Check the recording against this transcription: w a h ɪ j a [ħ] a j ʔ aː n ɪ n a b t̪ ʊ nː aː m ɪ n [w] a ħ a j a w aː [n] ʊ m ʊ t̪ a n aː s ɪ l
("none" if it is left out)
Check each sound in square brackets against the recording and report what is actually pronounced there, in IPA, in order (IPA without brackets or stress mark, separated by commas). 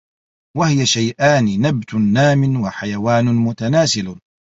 ʃ, w, n